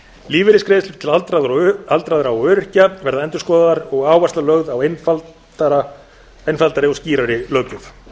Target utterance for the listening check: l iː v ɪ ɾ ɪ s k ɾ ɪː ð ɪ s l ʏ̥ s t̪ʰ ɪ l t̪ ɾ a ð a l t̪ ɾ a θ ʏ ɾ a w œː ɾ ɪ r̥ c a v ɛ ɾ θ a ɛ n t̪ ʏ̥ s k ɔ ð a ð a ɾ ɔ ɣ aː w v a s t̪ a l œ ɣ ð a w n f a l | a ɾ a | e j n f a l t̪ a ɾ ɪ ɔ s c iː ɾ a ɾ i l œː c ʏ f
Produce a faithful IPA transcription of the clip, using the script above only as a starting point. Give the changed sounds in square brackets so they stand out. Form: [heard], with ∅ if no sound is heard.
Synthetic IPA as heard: l iː v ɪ ɾ ɪ s k ɾ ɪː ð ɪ s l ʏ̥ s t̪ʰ ɪ l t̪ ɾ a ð a l t̪ ɾ a [ð] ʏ ɾ a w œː ɾ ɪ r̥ c a v ɛ ɾ [ð] a ɛ n t̪ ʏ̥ s k ɔ ð a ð a ɾ ɔ ɣ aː w v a s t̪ a l œ ɣ ð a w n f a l | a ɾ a | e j n f a l t̪ a ɾ ɪ ɔ s c iː ɾ a ɾ [ɪ] l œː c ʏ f